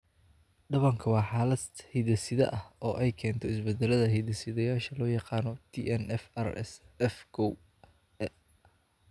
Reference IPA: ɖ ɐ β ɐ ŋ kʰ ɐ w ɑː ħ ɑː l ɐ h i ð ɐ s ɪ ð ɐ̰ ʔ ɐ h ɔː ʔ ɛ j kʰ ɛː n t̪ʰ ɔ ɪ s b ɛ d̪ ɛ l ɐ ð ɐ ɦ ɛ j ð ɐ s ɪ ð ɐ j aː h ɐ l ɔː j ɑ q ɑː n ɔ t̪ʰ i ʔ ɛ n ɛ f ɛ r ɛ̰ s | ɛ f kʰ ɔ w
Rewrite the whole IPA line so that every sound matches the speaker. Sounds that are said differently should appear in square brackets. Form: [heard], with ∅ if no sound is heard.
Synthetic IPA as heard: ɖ ɐ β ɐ ŋ kʰ ɐ w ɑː ħ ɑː l ɐ h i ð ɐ s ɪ ð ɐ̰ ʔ ɐ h ɔː ʔ ɛ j kʰ ɛː n t̪ʰ ɔ ɪ s b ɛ d̪ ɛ l ɐ ð ɐ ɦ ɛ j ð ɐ s ɪ ð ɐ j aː [ʃ] ɐ l ɔː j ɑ q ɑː n ɔ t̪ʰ i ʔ ɛ n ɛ f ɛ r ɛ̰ s | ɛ f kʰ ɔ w

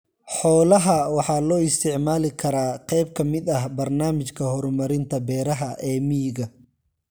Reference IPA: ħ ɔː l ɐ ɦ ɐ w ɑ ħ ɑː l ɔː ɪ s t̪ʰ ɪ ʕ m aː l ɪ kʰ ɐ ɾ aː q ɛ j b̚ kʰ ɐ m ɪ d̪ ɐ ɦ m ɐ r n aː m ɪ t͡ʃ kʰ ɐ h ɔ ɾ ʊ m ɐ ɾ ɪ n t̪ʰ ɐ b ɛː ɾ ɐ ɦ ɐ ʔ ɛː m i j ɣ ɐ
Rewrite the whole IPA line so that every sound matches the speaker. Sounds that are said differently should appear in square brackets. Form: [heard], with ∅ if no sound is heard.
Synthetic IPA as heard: ħ ɔː l ɐ ɦ ɐ w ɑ ħ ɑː l ɔː ɪ s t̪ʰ ɪ ʕ m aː l ɪ kʰ ɐ ɾ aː q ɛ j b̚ kʰ ɐ m ɪ d̪ ɐ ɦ [b] ɐ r n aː m ɪ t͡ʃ kʰ ɐ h ɔ ɾ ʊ m ɐ ɾ ɪ n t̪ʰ ɐ b ɛː ɾ ɐ ɦ ɐ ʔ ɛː m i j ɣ ɐ

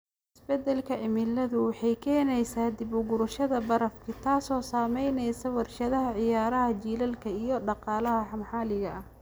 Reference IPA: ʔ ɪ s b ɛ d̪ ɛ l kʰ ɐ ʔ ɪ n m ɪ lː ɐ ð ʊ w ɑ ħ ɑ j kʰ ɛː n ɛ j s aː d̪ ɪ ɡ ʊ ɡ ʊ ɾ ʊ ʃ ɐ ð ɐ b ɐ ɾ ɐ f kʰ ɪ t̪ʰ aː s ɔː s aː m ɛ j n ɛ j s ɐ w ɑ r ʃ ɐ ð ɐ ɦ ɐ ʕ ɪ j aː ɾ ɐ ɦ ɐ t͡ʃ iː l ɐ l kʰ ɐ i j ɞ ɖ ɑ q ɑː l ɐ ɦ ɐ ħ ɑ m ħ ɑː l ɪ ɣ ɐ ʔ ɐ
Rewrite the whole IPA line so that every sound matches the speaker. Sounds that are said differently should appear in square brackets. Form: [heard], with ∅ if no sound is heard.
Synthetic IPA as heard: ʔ ɪ s b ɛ d̪ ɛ l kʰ ɐ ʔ ɪ [∅] m ɪ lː ɐ ð ʊ w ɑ ħ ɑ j kʰ ɛː n ɛ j s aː d̪ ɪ [b] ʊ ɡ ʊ ɾ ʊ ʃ ɐ ð ɐ b ɐ ɾ ɐ f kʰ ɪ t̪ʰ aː s ɔː s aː m ɛ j n ɛ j s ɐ w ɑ r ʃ ɐ ð ɐ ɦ ɐ ʕ ɪ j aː ɾ ɐ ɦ ɐ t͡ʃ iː l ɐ l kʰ ɐ i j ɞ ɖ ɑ q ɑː l ɐ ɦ ɐ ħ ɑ m ħ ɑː l ɪ ɣ ɐ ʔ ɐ

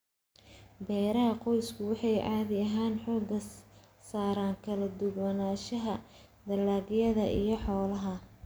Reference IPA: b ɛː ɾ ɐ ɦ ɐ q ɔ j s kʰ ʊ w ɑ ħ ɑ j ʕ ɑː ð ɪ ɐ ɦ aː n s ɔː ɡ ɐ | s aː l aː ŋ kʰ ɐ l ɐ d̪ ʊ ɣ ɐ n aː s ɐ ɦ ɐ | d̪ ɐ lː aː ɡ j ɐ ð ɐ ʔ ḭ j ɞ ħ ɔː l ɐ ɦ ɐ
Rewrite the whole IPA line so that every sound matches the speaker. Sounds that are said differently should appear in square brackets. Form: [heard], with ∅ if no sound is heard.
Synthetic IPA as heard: b ɛː ɾ ɐ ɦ ɐ q ɔ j s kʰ ʊ w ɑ ħ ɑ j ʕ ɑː ð ɪ ɐ ɦ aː n [ħ] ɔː ɡ ɐ | s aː [ɾ] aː ŋ kʰ ɐ l ɐ d̪ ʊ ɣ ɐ n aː [ʃ] ɐ ɦ ɐ | d̪ ɐ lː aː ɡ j ɐ ð ɐ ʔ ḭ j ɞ ħ ɔː l ɐ ɦ ɐ

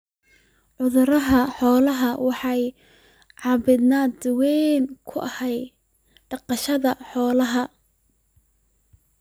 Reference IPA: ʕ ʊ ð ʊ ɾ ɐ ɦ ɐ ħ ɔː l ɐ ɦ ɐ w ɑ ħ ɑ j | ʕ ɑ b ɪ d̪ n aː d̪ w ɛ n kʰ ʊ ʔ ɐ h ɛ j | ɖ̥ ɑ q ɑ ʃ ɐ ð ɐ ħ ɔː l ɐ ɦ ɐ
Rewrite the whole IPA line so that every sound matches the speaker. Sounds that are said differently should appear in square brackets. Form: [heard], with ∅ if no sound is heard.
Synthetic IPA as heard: ʕ ʊ ð ʊ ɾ ɐ ɦ ɐ ħ ɔː l ɐ ɦ ɐ w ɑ ħ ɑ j | ʕ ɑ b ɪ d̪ n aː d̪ w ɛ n kʰ ʊ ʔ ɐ h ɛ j | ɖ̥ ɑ q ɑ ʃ ɐ ð ɐ ħ ɔː l ɐ ɦ ɐ

